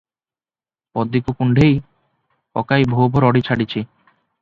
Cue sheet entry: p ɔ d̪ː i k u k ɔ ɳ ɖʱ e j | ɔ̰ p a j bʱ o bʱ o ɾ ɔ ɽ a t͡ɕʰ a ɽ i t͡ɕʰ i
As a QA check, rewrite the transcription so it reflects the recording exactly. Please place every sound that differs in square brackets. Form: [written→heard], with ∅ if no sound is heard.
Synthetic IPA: p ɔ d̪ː i k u k [ɔ→u] ɳ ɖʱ e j | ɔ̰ [p→k] a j bʱ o bʱ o ɾ ɔ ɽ [a→i] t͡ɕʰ a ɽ i t͡ɕʰ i